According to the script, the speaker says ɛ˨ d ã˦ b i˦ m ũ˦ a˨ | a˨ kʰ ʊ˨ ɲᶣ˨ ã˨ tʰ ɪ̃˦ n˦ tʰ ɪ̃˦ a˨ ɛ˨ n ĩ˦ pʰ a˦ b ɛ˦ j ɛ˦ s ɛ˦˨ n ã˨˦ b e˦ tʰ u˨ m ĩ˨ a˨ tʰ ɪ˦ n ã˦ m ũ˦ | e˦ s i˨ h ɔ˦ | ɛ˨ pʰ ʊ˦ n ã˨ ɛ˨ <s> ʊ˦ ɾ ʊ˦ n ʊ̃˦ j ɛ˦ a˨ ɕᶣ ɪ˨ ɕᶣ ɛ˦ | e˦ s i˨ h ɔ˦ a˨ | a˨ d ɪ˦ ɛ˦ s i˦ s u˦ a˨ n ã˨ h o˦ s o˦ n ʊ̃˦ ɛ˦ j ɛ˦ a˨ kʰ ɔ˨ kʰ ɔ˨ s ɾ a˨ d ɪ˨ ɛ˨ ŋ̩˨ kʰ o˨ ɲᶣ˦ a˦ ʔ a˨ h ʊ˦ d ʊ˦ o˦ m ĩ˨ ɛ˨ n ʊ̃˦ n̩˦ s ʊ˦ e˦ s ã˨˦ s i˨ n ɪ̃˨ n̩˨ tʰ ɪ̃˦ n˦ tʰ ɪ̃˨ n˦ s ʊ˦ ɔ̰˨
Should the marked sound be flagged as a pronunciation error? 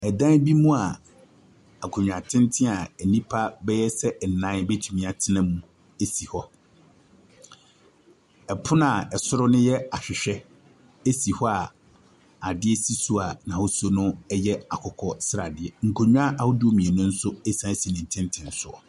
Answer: no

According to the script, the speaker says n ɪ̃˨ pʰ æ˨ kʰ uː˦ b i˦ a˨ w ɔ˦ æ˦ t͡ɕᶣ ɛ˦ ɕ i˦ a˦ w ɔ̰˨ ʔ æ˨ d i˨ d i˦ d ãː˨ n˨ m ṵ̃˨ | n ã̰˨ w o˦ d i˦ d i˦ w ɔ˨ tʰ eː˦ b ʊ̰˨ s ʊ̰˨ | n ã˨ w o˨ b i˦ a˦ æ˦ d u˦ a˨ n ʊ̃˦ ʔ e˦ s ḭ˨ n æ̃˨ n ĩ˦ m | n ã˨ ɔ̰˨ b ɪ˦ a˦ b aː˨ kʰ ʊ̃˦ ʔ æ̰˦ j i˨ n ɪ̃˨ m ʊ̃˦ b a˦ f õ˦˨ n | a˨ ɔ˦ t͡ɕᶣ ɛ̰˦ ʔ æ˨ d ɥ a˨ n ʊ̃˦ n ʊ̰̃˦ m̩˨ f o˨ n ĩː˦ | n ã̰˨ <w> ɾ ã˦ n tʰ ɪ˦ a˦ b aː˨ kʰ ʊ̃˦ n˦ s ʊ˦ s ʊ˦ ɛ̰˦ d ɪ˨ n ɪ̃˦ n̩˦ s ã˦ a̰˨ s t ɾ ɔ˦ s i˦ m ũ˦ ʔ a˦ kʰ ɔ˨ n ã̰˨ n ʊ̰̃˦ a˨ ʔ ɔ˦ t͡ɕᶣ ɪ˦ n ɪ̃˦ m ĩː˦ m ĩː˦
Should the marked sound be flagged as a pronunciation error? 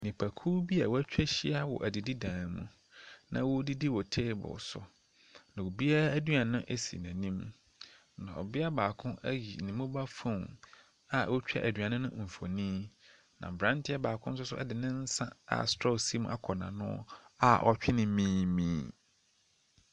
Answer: yes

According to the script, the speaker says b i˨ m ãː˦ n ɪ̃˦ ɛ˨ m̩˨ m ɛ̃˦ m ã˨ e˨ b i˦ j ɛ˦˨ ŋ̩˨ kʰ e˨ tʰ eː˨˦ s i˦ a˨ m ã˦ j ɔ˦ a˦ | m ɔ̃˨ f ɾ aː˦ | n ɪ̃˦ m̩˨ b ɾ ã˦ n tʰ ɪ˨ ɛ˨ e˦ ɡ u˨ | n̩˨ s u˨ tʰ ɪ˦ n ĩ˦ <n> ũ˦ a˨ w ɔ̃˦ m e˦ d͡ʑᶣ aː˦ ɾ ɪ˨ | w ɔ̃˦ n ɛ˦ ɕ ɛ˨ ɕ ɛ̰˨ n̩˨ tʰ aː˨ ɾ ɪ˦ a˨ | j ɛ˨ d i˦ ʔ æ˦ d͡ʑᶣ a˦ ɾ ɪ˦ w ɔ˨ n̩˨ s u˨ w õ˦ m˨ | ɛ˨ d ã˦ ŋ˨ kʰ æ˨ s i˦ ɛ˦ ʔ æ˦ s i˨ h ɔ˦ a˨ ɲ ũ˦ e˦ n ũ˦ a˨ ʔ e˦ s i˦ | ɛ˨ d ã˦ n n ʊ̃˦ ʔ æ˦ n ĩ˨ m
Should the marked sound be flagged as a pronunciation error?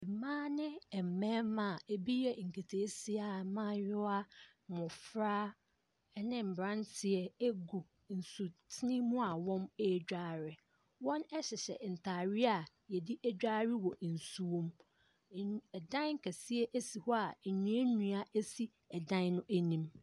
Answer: yes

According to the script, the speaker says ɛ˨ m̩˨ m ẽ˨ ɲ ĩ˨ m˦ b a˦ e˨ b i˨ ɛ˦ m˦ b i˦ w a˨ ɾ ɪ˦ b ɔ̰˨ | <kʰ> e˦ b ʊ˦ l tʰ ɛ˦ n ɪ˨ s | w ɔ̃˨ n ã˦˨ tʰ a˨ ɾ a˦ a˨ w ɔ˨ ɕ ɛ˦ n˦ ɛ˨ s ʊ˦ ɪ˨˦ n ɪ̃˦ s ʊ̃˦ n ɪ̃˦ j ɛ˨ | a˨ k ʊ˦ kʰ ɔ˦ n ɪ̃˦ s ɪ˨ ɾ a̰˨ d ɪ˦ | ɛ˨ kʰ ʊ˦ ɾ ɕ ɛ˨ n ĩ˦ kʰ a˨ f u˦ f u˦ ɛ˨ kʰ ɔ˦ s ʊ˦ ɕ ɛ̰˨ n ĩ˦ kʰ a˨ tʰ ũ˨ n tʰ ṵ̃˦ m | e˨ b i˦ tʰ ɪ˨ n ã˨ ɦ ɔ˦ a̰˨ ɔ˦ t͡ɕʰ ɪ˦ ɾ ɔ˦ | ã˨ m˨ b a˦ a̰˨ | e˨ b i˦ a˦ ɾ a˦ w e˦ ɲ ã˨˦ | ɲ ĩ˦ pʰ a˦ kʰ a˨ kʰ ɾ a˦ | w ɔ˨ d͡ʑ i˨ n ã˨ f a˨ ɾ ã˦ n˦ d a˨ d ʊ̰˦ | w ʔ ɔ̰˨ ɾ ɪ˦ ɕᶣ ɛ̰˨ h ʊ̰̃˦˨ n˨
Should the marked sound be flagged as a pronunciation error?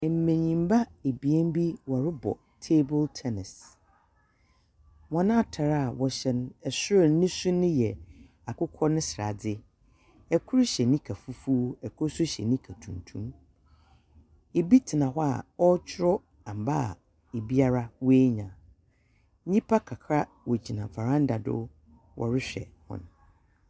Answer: yes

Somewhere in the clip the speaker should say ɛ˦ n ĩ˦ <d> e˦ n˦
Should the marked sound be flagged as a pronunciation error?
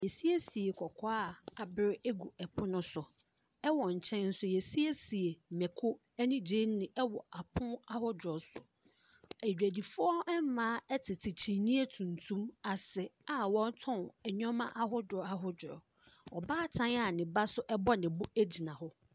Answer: yes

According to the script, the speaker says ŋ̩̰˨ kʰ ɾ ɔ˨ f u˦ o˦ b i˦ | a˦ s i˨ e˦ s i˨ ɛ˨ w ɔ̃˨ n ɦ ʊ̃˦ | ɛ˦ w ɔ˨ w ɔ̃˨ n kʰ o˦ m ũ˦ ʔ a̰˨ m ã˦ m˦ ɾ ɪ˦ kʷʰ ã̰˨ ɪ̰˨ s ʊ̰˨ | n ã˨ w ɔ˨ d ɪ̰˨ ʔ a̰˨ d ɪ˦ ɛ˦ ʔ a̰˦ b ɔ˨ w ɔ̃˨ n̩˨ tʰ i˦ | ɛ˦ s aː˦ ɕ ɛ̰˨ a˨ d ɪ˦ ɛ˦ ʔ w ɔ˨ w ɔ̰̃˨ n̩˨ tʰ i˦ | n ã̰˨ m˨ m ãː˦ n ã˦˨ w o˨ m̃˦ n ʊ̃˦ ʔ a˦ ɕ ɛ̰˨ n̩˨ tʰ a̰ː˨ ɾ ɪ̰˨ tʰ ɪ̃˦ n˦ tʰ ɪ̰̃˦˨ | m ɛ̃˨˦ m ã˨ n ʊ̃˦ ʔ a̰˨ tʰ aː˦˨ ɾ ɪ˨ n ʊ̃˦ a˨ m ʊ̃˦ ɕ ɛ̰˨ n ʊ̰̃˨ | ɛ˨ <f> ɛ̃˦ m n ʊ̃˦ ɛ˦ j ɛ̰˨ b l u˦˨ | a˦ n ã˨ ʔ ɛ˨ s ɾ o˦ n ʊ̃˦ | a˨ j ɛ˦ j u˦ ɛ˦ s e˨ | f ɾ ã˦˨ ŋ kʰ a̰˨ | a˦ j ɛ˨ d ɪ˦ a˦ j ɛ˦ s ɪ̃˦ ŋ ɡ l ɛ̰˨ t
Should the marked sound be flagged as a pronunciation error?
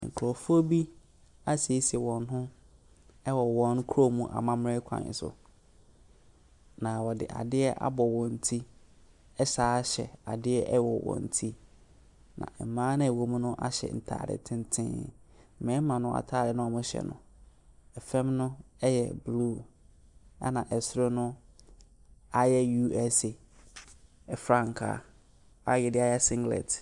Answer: no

